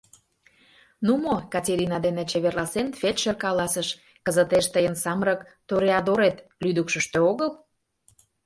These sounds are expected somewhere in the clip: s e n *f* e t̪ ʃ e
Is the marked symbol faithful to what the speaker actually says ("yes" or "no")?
yes